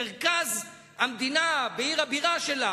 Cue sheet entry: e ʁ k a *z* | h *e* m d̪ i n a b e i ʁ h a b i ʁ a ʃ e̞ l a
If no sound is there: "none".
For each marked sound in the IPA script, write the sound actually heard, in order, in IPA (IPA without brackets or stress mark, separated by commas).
z, a